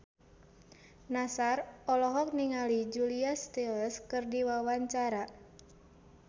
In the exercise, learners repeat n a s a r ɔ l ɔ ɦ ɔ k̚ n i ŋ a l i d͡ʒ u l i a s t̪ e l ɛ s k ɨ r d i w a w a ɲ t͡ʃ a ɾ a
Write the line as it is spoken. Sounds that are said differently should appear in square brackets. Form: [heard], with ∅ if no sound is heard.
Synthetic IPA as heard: n a s a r ɔ l ɔ ɦ ɔ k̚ n i ŋ a l i d͡ʒ u l i a s t̪ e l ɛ s k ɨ r d i w a w a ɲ t͡ʃ a ɾ a